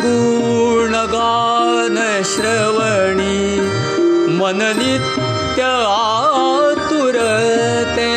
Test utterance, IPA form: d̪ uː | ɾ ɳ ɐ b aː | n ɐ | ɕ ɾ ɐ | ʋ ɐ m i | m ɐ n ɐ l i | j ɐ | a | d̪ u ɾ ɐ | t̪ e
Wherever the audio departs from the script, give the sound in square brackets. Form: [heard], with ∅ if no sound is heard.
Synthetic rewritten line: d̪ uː | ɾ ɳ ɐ [ɡ] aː | n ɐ | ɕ ɾ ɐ | ʋ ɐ [ɳ] i | m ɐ n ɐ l i | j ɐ | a | [t̪] u ɾ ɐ | t̪ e